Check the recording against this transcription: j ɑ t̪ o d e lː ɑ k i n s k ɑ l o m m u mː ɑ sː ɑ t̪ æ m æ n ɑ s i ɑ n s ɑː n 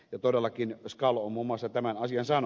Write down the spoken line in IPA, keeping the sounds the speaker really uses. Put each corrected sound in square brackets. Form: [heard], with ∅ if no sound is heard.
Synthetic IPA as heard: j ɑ t̪ o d e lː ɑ k i n s k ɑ l o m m u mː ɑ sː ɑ t̪ æ m æ n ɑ s i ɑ n s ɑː n